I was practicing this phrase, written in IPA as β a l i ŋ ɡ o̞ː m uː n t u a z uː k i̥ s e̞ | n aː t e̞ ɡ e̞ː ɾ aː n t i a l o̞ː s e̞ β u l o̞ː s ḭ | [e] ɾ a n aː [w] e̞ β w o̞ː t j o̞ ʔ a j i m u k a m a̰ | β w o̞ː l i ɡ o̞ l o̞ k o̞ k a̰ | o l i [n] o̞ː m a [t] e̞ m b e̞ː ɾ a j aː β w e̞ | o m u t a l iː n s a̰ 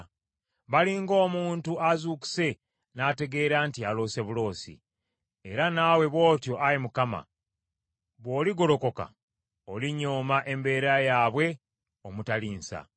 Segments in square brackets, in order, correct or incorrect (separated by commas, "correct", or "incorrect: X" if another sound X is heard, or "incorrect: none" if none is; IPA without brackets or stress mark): correct, correct, incorrect: ɲ, incorrect: ʔ